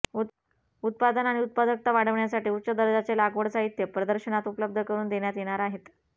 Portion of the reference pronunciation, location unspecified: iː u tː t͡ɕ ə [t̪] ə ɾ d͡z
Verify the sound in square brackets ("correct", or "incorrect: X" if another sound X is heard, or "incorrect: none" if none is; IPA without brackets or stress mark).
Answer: incorrect: d̪